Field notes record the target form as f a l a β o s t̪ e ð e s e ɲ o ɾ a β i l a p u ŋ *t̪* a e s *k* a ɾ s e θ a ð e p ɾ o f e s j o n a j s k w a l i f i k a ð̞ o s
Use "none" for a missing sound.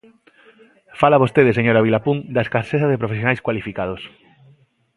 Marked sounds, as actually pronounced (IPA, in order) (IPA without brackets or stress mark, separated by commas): d̪, k